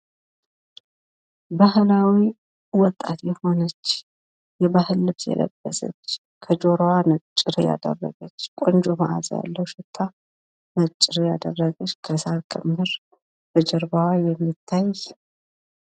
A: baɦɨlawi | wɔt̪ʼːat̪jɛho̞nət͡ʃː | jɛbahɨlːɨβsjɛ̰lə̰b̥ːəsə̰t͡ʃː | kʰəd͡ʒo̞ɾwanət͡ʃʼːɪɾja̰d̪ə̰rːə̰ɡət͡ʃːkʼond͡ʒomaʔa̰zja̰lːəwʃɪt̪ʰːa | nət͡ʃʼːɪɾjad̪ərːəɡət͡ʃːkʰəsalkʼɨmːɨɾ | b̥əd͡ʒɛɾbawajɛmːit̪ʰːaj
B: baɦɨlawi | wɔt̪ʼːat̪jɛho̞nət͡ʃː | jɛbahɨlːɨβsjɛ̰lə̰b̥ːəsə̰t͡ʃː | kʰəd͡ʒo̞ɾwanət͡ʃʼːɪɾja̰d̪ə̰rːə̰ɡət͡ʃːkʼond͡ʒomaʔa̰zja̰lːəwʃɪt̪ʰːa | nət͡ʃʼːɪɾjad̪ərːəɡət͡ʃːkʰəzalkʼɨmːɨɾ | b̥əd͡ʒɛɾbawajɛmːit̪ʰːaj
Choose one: A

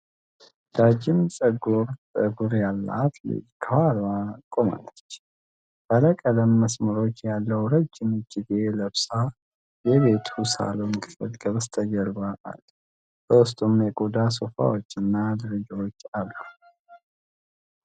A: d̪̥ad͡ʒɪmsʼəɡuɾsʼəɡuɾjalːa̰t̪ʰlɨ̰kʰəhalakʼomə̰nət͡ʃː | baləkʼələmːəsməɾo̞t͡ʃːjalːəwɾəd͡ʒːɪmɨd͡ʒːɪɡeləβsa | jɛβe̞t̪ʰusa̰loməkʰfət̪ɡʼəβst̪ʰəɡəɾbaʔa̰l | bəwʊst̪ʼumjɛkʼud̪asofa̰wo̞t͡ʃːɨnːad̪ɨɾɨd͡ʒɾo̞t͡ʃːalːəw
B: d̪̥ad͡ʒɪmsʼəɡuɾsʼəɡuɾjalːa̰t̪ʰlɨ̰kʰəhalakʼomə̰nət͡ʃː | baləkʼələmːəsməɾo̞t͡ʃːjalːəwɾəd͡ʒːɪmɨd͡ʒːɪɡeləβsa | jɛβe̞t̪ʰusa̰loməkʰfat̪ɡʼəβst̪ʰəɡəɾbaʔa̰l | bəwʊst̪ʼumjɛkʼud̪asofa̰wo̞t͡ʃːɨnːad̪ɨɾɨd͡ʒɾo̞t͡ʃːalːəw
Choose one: A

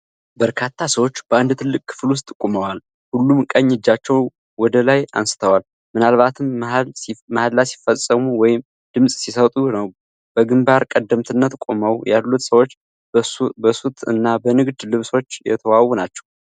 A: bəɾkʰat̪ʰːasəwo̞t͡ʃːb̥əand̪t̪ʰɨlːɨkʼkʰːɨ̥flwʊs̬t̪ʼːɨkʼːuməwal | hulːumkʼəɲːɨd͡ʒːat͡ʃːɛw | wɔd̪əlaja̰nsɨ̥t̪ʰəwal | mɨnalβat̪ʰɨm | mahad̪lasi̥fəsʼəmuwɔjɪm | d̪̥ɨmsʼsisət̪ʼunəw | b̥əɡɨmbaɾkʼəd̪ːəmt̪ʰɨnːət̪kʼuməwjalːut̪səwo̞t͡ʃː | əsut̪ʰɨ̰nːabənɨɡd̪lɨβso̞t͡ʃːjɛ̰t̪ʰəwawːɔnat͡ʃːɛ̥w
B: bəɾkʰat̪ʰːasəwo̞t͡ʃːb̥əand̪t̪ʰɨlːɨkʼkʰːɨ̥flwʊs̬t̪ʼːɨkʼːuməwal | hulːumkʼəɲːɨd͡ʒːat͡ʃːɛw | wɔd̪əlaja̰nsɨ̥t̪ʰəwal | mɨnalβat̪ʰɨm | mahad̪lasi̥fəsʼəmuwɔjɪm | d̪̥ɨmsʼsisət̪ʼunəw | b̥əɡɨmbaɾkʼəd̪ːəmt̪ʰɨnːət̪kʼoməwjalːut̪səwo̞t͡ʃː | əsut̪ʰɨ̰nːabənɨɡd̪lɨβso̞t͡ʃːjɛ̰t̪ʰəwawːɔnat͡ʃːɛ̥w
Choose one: B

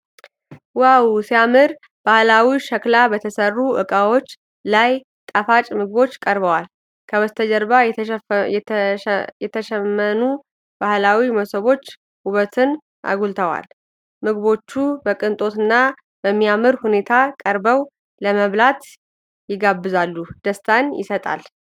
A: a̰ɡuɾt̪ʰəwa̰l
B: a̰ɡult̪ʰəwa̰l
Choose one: B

